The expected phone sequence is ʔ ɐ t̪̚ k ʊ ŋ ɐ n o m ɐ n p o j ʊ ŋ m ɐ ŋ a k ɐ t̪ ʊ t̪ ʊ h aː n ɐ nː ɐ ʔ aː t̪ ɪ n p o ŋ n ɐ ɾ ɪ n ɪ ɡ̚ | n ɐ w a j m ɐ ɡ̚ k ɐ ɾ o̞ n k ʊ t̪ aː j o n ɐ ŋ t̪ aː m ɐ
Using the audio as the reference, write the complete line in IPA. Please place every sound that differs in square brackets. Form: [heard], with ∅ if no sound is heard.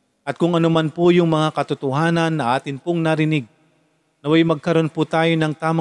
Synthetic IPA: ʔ ɐ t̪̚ k ʊ ŋ ɐ n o m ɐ n p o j ʊ ŋ m ɐ ŋ a k ɐ t̪ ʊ t̪ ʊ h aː n ɐ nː ɐ ʔ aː t̪ ɪ n p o ŋ n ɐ ɾ ɪ n ɪ ɡ̚ | n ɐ w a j m ɐ ɡ̚ k ɐ ɾ o̞ n [p] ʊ t̪ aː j o n ɐ ŋ t̪ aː m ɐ